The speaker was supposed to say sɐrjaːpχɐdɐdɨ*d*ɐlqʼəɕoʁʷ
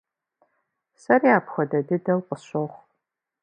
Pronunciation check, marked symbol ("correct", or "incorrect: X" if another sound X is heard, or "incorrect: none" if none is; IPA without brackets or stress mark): correct